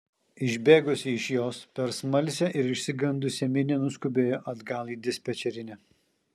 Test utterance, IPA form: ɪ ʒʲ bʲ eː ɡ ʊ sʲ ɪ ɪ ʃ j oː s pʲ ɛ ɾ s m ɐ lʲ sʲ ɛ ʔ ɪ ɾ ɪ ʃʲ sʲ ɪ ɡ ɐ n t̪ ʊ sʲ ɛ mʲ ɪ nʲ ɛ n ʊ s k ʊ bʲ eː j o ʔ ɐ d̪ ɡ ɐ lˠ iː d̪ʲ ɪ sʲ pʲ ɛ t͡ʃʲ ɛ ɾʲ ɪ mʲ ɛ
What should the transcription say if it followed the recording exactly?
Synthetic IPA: ɪ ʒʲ bʲ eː ɡ ʊ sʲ ɪ ɪ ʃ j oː s pʲ ɛ ɾ s m ɐ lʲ sʲ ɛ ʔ ɪ ɾ ɪ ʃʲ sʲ ɪ ɡ ɐ n d̪ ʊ sʲ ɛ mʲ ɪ nʲ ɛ n ʊ s k ʊ bʲ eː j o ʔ ɐ d̪ ɡ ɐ lˠ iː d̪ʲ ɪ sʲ pʲ ɛ t͡ʃʲ ɛ ɾʲ ɪ nʲ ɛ